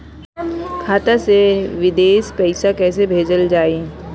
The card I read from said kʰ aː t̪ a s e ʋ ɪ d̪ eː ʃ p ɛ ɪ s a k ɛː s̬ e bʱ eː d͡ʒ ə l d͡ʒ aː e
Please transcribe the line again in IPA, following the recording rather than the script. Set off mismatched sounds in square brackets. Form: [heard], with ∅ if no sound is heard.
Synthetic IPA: kʰ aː t̪ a s e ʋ ɪ d̪ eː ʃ p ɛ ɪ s a k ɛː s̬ e bʱ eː d͡ʒ ə l d͡ʒ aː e